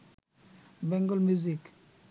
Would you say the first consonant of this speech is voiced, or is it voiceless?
voiced